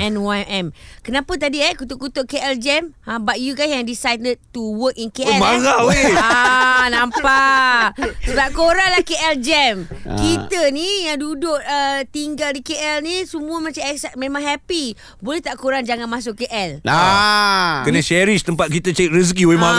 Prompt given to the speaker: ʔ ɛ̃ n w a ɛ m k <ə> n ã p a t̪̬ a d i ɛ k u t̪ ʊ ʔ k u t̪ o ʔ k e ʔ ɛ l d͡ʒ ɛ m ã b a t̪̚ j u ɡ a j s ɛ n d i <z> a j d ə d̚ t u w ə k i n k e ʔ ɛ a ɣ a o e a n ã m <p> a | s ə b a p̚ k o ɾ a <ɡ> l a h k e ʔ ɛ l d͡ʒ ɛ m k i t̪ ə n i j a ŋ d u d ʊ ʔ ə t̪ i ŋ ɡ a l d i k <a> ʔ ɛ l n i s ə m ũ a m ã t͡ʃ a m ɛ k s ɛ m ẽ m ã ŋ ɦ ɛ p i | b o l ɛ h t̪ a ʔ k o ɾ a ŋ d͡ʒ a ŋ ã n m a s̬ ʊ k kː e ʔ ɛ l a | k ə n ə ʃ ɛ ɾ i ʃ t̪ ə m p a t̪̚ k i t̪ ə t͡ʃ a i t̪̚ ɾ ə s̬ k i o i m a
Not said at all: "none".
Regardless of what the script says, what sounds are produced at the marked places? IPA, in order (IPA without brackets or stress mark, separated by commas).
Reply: ə, s, p, ŋ, e